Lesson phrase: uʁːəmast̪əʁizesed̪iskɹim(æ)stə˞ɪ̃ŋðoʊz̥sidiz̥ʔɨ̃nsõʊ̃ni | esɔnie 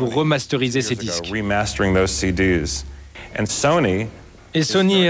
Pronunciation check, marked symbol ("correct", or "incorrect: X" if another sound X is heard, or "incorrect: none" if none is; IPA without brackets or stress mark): correct